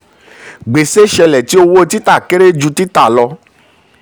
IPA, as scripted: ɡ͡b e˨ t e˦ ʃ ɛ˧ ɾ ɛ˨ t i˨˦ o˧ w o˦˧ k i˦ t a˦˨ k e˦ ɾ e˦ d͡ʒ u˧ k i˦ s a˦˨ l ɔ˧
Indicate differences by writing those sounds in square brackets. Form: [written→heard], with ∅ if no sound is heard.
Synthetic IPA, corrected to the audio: ɡ͡b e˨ [t→s] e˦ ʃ ɛ˧ [ɾ→l] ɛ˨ t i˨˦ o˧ w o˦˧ [k→t] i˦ t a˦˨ k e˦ ɾ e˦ d͡ʒ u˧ [k→t] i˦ [s→t] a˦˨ l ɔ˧